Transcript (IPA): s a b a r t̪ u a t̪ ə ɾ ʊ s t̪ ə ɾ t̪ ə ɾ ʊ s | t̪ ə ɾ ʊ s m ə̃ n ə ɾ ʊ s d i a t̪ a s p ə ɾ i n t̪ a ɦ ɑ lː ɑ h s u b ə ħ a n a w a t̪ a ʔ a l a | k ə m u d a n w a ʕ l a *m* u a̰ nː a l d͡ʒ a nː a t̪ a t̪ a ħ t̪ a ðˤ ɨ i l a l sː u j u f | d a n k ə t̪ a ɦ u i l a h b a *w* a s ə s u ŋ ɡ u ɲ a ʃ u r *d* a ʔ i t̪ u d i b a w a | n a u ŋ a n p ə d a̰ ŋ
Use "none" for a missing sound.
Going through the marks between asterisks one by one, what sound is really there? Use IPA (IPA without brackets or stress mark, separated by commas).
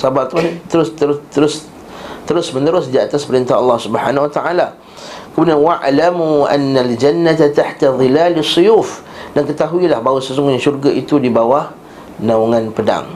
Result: m, w, ɡ